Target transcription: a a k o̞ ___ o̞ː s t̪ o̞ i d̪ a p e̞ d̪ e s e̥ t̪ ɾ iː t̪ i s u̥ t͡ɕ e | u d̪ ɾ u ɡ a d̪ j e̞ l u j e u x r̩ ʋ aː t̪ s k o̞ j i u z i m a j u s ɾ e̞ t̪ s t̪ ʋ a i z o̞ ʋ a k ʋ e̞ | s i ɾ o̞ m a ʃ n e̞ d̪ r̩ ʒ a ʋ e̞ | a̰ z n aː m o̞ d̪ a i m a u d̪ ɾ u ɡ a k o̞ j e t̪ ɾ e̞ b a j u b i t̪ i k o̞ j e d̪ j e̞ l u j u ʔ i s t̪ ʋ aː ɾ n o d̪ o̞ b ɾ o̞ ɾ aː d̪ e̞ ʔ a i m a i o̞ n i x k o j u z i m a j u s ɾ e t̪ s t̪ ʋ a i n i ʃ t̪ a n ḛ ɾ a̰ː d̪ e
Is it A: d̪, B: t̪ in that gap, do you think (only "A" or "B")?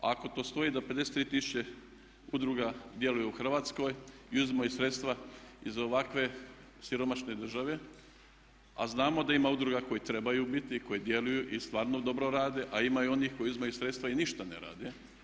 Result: B